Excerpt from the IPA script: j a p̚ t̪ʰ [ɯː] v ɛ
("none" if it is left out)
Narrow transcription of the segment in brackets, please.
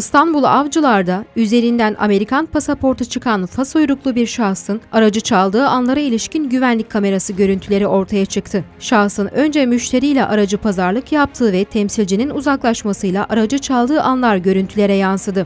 ɯː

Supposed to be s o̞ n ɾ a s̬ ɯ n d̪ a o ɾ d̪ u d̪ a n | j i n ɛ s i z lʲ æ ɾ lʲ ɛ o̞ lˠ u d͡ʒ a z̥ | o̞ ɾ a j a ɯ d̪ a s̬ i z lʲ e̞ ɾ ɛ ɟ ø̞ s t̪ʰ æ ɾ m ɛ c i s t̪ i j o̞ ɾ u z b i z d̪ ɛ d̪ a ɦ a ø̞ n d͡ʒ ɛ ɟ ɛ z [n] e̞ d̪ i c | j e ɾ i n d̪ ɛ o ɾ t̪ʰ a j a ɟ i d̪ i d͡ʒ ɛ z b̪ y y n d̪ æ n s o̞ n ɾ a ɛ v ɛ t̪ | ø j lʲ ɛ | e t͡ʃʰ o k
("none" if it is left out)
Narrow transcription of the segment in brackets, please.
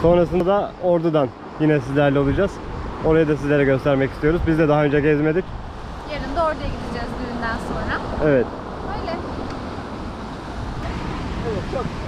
m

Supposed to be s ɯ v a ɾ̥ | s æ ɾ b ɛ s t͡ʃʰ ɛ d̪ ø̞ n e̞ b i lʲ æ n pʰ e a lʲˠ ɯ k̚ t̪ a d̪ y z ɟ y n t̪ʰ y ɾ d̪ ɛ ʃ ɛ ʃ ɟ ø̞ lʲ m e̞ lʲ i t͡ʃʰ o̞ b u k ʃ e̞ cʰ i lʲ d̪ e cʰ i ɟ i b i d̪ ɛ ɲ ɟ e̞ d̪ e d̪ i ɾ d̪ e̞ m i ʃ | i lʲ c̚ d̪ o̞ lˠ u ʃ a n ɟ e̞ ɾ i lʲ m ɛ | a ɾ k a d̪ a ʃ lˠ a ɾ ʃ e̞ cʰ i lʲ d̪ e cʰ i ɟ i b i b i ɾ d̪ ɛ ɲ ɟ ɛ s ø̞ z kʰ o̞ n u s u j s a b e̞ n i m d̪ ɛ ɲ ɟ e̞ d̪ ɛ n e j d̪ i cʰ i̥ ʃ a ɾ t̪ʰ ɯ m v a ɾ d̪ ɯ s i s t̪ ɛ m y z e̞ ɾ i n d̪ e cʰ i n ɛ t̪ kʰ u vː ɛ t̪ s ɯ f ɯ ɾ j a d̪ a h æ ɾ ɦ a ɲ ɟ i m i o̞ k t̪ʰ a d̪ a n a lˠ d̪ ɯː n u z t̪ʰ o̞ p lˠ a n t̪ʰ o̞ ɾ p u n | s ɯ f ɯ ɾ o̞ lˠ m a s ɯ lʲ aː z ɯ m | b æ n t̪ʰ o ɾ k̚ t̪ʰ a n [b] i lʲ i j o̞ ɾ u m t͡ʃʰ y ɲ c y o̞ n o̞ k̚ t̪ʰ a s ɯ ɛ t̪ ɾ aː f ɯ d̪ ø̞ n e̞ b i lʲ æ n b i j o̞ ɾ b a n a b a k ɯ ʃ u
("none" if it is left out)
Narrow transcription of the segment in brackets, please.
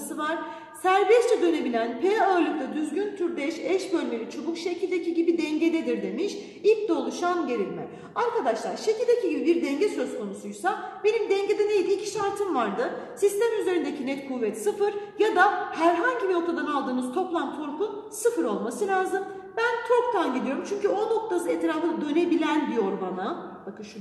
ɟ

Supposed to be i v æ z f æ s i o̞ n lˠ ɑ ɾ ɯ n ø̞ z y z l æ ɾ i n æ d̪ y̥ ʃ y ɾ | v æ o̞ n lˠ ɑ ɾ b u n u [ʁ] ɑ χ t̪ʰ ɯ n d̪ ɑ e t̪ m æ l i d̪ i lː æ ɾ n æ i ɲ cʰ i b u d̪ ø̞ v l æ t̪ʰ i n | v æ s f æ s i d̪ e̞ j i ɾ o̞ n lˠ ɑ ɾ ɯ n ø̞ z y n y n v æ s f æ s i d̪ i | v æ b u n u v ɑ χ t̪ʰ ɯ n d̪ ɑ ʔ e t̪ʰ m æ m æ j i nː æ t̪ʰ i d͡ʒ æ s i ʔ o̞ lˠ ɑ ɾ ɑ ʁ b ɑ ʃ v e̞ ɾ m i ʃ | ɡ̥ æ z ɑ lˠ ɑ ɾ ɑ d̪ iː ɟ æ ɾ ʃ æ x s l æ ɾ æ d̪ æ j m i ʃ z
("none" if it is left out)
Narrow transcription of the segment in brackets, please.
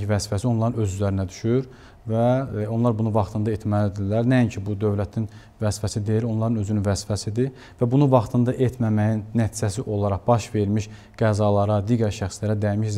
v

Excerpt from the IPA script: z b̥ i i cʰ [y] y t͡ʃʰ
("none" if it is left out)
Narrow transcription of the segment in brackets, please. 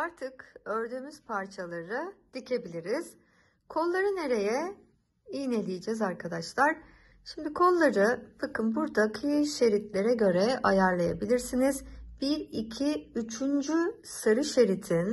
i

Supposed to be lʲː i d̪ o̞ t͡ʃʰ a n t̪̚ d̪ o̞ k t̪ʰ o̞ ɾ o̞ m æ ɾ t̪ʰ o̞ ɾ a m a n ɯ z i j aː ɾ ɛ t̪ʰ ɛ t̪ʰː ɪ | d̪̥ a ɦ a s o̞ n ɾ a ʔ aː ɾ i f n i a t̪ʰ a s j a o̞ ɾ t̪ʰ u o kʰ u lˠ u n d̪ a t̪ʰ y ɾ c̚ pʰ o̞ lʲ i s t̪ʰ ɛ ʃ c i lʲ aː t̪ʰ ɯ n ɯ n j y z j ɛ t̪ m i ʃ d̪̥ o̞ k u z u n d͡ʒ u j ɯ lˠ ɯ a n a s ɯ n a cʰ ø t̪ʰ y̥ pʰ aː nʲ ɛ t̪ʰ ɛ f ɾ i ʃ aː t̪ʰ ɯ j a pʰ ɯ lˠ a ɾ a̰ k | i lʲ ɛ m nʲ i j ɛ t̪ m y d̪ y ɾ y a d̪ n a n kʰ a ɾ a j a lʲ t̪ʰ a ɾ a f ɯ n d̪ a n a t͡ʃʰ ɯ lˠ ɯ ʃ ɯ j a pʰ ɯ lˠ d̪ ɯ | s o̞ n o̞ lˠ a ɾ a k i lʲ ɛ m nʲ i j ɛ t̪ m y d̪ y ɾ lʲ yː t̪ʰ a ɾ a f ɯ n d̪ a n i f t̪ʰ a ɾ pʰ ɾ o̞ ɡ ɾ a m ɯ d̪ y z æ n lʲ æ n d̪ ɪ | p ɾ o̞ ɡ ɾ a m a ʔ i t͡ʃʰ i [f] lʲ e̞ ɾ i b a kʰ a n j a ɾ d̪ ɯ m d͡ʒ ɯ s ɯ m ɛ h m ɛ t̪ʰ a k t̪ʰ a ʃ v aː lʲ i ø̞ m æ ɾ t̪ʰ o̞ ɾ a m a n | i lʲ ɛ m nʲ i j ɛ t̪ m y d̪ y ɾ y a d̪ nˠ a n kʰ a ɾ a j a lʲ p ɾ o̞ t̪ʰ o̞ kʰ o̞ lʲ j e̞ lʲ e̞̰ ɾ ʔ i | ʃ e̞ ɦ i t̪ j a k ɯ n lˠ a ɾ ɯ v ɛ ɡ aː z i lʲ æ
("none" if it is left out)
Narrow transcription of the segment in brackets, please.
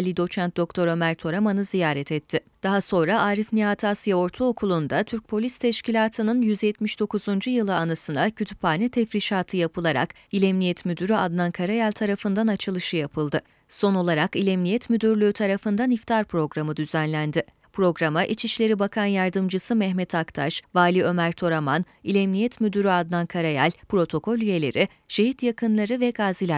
ʃ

